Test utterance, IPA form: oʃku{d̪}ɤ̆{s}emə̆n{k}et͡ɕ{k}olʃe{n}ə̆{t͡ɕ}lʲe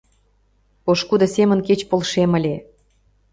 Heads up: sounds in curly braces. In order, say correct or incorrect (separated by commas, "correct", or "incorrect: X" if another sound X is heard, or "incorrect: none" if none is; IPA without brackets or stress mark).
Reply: correct, correct, correct, incorrect: p, incorrect: m, incorrect: none